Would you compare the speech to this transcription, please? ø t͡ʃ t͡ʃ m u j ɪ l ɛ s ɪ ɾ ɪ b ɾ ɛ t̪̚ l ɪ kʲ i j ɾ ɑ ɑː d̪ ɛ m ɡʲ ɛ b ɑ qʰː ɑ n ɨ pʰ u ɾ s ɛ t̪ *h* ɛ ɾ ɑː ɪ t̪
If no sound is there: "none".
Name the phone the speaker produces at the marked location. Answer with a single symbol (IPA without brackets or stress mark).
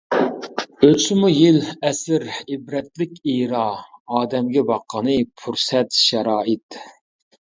ʃ